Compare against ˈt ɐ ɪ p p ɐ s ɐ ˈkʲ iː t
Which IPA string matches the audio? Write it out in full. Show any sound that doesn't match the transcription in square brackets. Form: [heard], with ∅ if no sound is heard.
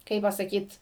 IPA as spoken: [ˈk] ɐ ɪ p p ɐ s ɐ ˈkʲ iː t

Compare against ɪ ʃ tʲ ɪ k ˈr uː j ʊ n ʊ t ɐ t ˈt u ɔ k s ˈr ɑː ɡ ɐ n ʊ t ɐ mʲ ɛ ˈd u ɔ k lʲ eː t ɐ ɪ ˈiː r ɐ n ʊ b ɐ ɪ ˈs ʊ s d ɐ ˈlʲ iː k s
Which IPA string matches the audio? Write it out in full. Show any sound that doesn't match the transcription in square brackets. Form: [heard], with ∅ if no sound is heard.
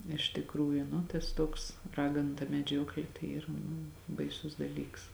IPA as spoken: ɪ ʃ tʲ ɪ k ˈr uː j ʊ n ʊ t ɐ [s] ˈt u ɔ k s ˈr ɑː ɡ ɐ n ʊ t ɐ mʲ ɛ [ˈd͡ʒʲ] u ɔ k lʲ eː t ɐ ɪ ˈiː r ɐ n ʊ b ɐ ɪ ˈs ʊ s d ɐ ˈlʲ iː k s

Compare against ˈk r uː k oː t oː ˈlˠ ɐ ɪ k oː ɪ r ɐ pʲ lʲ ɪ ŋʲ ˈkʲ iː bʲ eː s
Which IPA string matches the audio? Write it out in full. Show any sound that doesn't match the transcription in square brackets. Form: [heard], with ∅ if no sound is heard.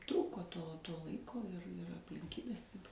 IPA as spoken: [ˈt] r uː k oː t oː ˈlˠ ɐ ɪ k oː ɪ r ɐ pʲ lʲ ɪ ŋʲ ˈkʲ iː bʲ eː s

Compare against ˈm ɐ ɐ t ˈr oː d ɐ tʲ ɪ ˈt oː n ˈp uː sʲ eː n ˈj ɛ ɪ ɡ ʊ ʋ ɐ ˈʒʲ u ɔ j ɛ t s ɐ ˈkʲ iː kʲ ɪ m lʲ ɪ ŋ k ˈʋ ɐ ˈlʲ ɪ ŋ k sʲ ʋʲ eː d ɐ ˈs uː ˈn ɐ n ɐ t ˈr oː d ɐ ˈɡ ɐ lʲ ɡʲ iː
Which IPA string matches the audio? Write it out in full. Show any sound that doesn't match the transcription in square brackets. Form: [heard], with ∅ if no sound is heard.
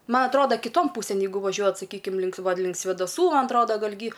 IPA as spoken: ˈm ɐ ɐ t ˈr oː d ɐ [kʲ] ɪ ˈt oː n ˈp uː sʲ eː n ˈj ɛ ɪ ɡ ʊ ʋ ɐ ˈʒʲ u ɔ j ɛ t s ɐ ˈkʲ iː kʲ ɪ m lʲ ɪ ŋ k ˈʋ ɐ ˈlʲ ɪ ŋ k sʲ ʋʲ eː d ɐ ˈs uː [ˈm] ɐ n ɐ t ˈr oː d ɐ ˈɡ ɐ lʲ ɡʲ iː

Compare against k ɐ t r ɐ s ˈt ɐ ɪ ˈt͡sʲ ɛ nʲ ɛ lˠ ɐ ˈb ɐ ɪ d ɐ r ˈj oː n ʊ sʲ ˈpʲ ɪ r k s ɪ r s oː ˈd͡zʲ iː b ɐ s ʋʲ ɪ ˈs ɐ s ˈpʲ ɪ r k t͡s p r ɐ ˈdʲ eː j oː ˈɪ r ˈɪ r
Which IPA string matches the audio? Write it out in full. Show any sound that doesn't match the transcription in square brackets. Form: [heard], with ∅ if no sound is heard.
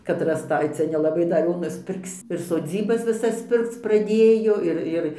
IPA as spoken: k ɐ t r ɐ s ˈt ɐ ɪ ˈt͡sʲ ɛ nʲ ɛ lˠ ɐ ˈb ɐ ɪ d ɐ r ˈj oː n ʊ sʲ ˈpʲ ɪ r k s ɪ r s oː ˈd͡zʲ iː b ɐ s ʋʲ ɪ ˈs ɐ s ˈpʲ ɪ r k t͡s p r ɐ ˈdʲ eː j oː ˈɪ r ˈɪ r

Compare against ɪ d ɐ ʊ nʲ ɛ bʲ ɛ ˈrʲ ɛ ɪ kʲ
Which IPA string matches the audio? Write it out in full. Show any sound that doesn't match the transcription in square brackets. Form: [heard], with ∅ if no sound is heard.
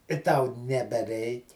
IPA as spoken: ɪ [t] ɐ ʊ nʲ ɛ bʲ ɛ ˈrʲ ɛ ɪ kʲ

